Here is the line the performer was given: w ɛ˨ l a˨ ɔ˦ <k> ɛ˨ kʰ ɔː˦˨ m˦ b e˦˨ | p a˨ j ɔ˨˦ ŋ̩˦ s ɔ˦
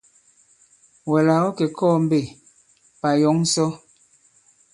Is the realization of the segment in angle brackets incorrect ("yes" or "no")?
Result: no